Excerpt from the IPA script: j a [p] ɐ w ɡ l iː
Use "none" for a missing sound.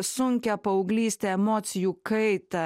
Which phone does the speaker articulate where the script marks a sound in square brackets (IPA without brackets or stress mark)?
p